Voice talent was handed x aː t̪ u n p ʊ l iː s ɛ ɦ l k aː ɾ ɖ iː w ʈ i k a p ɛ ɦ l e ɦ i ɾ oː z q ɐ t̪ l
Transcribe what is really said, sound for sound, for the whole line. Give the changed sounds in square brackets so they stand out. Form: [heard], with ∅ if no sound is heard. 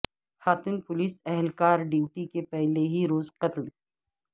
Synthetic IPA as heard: x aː t̪ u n p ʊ l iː s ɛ ɦ l k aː ɾ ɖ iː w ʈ i k [e] p ɛ ɦ l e ɦ i ɾ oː z q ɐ t̪ l

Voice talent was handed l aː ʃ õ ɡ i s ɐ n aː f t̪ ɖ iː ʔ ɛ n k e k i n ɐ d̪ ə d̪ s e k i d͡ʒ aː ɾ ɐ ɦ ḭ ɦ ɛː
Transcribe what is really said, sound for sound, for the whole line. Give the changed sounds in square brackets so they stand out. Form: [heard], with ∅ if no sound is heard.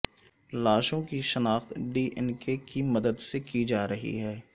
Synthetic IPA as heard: l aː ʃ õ [k] i [ʃ] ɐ n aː [x] t̪ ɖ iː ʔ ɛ n k e k i [m] ɐ d̪ ə d̪ s e k i d͡ʒ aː ɾ ɐ ɦ ḭ ɦ ɛː

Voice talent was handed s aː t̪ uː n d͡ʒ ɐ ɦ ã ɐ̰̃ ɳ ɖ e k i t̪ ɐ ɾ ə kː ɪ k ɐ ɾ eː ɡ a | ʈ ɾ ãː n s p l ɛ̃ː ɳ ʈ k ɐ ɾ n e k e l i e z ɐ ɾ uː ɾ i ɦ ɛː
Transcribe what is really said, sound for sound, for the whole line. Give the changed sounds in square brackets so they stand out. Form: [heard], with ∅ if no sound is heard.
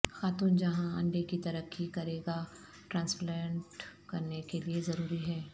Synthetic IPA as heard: [x] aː t̪ uː n d͡ʒ ɐ ɦ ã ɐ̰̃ ɳ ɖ e k i t̪ ɐ ɾ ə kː [i] k ɐ ɾ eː ɡ a | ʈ ɾ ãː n s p l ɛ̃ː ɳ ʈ k ɐ ɾ n e k e l i e z ɐ ɾ uː ɾ i ɦ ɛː

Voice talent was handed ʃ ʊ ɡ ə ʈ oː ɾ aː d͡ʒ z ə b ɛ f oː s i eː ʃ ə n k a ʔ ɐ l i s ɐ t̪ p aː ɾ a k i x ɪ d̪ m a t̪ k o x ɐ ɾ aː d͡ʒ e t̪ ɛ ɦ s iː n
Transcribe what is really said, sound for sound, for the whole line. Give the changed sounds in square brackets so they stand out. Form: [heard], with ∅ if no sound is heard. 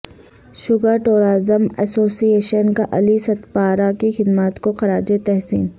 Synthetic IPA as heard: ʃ ʊ ɡ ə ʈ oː ɾ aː [∅] z ə [m] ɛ [s] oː s i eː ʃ ə n k a ʔ ɐ l i s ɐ t̪ p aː ɾ a k i x ɪ d̪ m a t̪ k o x ɐ ɾ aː d͡ʒ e t̪ ɛ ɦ s iː n

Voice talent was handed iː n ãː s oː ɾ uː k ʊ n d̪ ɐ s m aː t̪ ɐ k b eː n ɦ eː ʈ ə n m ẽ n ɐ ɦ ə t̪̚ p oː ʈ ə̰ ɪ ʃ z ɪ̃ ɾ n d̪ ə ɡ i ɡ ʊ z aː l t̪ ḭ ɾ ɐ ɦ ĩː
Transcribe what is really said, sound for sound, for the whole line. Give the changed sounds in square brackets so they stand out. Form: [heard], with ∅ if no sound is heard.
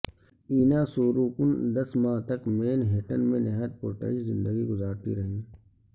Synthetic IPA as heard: iː n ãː s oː ɾ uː k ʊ n d̪ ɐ s m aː t̪ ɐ k [m] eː n ɦ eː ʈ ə n m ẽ n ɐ ɦ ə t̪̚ p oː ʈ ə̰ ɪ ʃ z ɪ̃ [∅] n d̪ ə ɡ i ɡ ʊ z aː [ɾ] t̪ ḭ ɾ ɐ ɦ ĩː

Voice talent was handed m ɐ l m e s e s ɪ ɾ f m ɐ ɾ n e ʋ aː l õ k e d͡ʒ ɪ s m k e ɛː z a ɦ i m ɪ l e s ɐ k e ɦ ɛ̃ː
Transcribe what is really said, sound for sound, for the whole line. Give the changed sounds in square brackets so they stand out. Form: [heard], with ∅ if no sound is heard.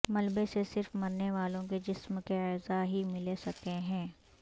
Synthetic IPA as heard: m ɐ l [b] e s e s ɪ ɾ f m ɐ ɾ n e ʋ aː l õ k e d͡ʒ ɪ s m k e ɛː z a ɦ i m ɪ l e s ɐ k e ɦ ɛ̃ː

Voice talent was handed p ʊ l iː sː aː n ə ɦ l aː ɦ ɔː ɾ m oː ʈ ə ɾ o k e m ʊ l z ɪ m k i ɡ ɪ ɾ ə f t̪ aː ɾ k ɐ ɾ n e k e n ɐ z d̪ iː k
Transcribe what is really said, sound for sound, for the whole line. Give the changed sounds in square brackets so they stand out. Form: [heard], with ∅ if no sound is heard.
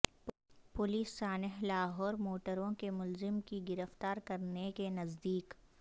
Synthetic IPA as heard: p ʊ l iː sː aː n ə ɦ l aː ɦ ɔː ɾ m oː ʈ ə ɾ [õ] k e m ʊ l z ɪ m k i ɡ ɪ ɾ ə f t̪ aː ɾ k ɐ ɾ n e k e n ɐ z d̪ iː k

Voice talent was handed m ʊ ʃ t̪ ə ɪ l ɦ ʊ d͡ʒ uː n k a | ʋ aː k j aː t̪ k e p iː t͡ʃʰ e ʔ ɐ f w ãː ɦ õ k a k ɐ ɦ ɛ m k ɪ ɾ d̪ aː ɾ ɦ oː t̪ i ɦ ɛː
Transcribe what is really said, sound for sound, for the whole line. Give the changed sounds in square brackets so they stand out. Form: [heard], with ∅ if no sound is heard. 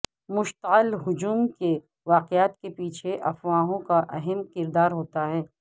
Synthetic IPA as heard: m ʊ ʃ t̪ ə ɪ l ɦ ʊ d͡ʒ uː [m] k [e] | ʋ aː [q] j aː t̪ k e p iː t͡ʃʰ e ʔ ɐ f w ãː ɦ õ k a [ʔ] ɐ ɦ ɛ m k ɪ ɾ d̪ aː ɾ ɦ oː t̪ [a] ɦ ɛː

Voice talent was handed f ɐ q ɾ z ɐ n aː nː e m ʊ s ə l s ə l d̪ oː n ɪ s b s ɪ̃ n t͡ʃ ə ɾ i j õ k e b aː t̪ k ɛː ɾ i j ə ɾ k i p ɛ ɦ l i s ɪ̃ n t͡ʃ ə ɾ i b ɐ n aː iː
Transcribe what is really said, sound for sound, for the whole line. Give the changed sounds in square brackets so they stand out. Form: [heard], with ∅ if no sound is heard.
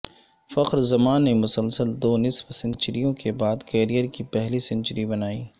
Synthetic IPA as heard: f ɐ q ɾ z ɐ [m] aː nː e m ʊ s ə l s ə l d̪ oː n ɪ s b s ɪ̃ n t͡ʃ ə ɾ i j õ k e b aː [d̪] k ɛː ɾ i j ə ɾ k i p ɛ ɦ l i s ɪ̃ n t͡ʃ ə ɾ i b ɐ n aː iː

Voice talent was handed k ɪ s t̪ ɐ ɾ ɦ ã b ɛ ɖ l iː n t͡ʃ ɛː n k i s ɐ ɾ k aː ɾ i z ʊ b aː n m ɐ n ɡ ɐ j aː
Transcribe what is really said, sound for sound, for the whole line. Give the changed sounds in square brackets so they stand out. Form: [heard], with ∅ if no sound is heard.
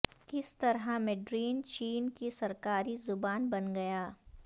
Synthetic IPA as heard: k ɪ s t̪ ɐ ɾ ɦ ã [m] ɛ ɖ [ɾ] iː n t͡ʃ [iː] n k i s ɐ ɾ k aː ɾ i z ʊ b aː n [b] ɐ n ɡ ɐ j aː

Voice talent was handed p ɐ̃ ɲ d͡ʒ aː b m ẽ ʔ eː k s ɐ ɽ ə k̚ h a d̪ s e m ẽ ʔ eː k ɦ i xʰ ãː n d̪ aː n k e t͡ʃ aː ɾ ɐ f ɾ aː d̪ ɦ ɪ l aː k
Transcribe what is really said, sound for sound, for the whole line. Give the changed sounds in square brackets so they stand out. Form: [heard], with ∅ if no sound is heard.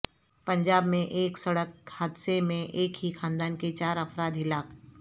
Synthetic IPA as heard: p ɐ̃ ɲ d͡ʒ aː b m ẽ ʔ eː k s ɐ ɽ ə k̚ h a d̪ s e m ẽ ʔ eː k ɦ i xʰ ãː n d̪ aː n k e t͡ʃ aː ɾ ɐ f ɾ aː d̪ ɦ ɪ l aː k

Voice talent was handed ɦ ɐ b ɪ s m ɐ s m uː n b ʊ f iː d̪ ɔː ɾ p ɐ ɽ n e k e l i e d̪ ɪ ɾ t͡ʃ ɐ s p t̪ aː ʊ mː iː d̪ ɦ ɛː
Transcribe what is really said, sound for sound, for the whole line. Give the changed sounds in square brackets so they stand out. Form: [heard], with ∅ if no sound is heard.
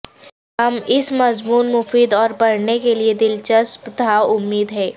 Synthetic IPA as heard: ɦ ɐ [m] ɪ s m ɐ [z] m uː n [m] ʊ f iː d̪ ɔː ɾ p ɐ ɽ n e k e l i e d̪ ɪ [l] t͡ʃ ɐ s p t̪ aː ʊ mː iː d̪ ɦ ɛː

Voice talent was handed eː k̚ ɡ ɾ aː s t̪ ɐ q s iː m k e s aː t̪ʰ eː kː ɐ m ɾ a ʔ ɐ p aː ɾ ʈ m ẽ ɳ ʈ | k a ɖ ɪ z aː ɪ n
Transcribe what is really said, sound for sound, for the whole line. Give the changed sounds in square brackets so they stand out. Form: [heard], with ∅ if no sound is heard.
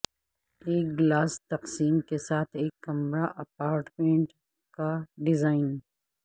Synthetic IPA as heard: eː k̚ ɡ [l] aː s t̪ ɐ q s iː m k e s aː t̪ʰ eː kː ɐ m ɾ a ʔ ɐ p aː ɾ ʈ m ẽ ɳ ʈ | k a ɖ ɪ z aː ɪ n

